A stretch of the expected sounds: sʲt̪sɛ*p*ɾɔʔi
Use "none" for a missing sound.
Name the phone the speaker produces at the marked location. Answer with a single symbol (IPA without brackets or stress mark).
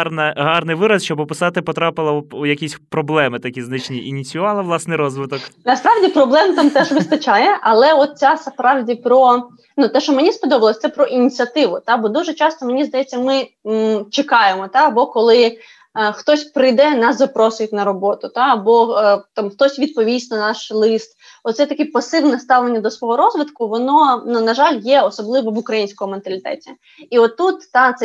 p